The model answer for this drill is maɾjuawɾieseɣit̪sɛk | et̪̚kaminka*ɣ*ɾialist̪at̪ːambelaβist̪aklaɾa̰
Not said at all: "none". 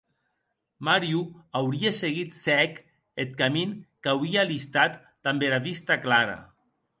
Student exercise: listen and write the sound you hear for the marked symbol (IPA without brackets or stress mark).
w